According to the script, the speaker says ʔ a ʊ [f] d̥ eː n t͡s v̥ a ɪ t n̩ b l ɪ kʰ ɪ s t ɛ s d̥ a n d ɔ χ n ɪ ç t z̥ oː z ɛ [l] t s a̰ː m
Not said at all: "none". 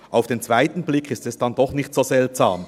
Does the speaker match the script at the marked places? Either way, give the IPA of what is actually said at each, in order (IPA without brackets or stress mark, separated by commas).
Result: f, l